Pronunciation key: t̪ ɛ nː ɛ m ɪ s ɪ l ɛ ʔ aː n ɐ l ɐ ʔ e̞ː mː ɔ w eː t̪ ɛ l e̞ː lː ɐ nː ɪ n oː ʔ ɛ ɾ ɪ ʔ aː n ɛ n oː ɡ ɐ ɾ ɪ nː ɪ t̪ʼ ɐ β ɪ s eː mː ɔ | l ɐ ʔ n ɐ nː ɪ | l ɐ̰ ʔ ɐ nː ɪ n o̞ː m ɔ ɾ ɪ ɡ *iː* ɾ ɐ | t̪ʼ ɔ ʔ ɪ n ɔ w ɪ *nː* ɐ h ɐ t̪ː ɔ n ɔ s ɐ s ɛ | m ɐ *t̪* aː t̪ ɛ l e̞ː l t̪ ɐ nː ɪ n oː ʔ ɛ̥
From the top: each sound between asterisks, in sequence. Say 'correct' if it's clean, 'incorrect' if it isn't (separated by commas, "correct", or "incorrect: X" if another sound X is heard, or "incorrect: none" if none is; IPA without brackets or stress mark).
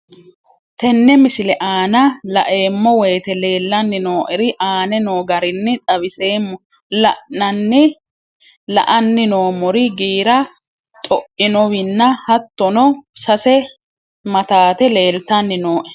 correct, correct, correct